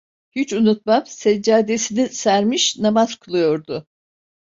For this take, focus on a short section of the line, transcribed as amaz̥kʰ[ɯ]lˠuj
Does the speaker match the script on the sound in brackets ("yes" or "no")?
no